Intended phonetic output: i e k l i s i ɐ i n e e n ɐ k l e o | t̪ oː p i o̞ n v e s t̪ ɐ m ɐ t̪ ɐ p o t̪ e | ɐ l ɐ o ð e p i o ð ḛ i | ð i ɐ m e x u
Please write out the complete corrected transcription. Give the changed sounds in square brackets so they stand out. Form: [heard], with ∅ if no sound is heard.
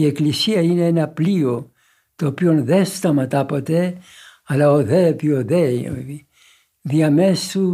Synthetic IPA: i e k l i s i ɐ i n e e n ɐ [p] l [i] o | t̪ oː p i o̞ n [ð] e s t̪ ɐ m ɐ t̪ ɐ p o t̪ e | ɐ l ɐ o ð e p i o ð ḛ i | ð i ɐ m e [s] u